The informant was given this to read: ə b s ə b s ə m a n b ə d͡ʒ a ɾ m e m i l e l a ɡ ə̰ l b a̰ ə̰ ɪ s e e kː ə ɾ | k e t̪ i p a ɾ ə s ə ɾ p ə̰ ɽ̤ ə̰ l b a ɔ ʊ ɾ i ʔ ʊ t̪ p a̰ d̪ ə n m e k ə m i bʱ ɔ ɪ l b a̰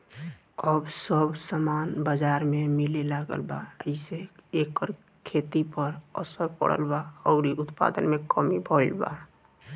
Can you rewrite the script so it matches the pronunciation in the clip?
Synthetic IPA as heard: ə b s ə b s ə m a n b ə d͡ʒ a ɾ m e m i l e l a ɡ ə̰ l b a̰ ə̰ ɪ s e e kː ə ɾ | kʰ e t̪ i p ə ɾ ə s ə ɾ p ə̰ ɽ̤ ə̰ l b a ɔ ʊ ɾ i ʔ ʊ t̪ p a̰ d̪ ə n m e k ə m i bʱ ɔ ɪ l b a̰